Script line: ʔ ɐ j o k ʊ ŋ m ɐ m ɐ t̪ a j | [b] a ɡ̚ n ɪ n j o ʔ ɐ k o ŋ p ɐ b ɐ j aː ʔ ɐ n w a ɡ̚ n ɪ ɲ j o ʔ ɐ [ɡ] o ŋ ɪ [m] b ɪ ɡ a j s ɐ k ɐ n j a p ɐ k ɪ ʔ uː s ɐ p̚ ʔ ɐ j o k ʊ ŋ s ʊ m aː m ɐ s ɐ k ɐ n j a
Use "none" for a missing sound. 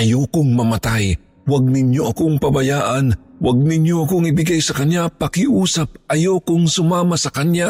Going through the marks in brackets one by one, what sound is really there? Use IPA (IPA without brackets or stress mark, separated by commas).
w, k, none